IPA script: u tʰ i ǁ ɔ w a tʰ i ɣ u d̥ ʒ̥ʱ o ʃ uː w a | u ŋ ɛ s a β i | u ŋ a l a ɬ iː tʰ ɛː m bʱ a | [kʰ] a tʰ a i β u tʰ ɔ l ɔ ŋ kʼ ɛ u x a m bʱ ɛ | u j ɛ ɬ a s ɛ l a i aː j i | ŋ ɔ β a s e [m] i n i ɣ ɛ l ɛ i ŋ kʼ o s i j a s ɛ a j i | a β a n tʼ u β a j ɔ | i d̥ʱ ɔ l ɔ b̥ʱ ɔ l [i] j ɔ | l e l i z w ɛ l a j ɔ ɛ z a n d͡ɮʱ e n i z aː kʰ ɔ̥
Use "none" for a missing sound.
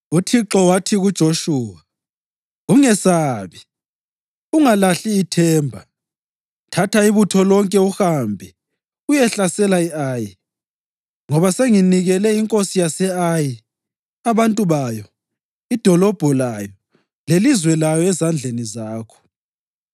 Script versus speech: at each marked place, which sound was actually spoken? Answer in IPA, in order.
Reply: tʰ, ŋ, a

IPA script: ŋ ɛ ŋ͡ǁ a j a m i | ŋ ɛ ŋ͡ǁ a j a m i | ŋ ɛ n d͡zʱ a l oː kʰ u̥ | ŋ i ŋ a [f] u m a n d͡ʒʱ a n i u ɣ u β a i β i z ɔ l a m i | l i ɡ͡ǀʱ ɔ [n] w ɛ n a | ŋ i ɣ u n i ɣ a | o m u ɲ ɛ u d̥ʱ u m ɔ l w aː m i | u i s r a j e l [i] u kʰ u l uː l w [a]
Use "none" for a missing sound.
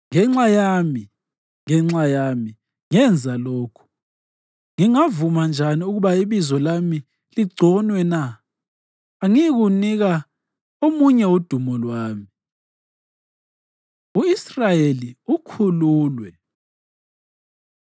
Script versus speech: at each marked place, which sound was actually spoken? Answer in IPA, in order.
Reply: v, n, i, ɛ

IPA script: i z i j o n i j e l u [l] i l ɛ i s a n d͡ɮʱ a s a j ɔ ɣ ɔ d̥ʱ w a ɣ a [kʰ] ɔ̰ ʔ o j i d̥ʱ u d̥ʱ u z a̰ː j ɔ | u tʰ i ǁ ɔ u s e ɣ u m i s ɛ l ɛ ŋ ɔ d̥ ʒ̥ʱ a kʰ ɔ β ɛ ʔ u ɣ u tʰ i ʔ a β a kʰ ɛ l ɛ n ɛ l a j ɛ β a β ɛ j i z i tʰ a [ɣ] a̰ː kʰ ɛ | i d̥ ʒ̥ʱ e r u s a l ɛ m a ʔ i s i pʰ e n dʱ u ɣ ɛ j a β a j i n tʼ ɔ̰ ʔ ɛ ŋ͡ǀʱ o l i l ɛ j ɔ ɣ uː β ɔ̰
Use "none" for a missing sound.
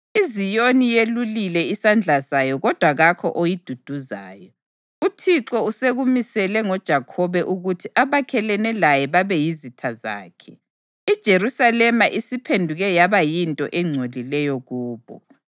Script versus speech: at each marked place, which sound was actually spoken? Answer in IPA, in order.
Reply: l, kʰ, z

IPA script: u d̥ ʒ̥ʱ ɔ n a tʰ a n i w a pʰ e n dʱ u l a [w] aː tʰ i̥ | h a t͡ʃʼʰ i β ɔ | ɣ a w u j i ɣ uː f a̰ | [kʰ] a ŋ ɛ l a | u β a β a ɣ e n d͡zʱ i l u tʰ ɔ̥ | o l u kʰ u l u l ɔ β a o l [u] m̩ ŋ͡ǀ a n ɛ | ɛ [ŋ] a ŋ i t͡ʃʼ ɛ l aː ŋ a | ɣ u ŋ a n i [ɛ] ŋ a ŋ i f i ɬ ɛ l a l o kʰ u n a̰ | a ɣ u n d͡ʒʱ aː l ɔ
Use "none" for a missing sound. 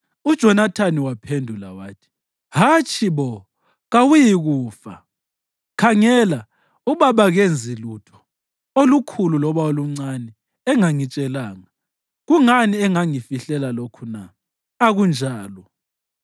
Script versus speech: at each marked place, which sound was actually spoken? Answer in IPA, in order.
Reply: w, kʰ, u, ŋ, ɛ

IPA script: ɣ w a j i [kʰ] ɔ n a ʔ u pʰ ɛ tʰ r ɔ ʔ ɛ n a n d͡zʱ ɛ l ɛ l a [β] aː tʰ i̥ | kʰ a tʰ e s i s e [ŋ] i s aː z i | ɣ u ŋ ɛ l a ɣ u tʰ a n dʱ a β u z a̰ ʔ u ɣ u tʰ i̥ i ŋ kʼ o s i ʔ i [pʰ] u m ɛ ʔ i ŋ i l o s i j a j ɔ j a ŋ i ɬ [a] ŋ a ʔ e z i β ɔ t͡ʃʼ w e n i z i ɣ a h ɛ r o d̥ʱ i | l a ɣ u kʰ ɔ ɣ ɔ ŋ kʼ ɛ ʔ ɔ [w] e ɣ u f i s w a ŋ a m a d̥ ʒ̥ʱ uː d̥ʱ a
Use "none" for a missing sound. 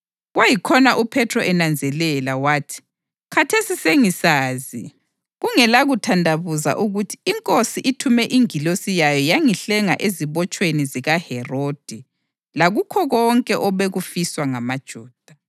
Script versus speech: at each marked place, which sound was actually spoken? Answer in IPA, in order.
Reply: kʰ, w, ŋ, tʰ, ɛ, β

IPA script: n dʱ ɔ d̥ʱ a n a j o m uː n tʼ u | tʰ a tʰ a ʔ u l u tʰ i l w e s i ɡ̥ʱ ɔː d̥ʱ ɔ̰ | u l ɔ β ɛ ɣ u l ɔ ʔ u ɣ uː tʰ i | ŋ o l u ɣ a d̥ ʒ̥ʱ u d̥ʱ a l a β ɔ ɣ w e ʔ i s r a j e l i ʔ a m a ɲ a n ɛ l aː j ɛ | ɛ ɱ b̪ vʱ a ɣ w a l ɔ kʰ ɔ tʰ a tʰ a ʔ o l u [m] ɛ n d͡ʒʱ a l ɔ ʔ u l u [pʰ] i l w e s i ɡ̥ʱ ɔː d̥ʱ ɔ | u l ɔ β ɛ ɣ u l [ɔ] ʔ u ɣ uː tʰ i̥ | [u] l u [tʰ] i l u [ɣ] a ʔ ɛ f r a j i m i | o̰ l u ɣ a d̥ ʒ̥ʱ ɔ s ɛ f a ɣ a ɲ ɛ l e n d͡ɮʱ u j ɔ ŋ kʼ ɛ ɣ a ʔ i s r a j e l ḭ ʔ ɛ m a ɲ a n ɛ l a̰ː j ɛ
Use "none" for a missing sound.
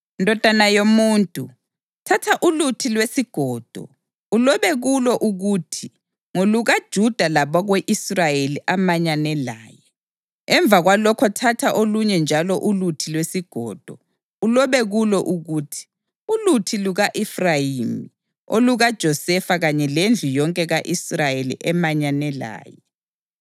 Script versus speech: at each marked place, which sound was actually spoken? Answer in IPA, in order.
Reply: ɲ, tʰ, ɔ, u, tʰ, ɣ

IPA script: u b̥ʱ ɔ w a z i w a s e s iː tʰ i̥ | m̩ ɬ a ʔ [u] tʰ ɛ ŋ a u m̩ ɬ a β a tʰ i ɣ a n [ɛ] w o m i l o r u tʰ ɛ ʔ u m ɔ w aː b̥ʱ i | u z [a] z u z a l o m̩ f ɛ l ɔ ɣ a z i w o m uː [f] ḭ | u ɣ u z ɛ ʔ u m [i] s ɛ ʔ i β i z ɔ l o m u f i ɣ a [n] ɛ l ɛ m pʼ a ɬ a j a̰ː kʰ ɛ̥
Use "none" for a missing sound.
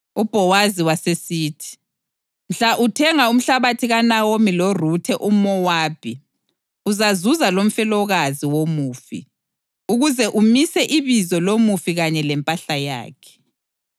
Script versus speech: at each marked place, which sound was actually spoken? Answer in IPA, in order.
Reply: u, a, a, f, i, ɲ

